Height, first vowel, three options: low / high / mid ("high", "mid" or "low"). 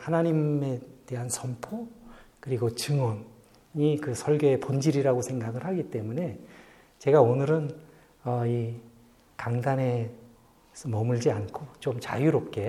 low